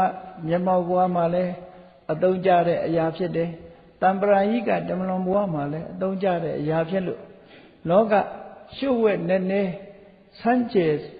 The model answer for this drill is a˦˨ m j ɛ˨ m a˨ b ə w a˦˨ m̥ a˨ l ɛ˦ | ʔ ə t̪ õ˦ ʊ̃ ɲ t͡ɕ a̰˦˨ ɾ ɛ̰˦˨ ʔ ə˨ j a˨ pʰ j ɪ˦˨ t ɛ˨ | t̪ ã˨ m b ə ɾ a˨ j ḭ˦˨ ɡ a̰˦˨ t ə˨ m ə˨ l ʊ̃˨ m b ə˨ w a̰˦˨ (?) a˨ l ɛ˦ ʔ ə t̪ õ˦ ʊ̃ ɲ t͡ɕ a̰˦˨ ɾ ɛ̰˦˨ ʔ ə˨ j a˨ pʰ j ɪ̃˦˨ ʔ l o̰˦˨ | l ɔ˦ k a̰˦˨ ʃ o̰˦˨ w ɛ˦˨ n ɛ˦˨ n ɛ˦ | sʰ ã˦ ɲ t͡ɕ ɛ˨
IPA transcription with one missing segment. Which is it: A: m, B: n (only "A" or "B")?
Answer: A